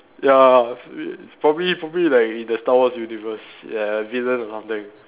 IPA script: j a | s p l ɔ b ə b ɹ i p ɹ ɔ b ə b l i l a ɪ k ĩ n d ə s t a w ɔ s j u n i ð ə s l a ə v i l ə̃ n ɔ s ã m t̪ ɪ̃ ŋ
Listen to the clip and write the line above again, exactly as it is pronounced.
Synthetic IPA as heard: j a | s p ɹ ɔ b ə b l i p ɹ ɔ b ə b l i l a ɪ k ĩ n d ə s t a w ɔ s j u n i v ə s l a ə v i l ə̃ n ɔ s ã m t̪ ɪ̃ ŋ